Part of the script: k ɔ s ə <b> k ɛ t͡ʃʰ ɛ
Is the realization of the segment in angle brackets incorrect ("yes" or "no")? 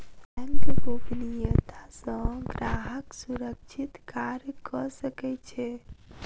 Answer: yes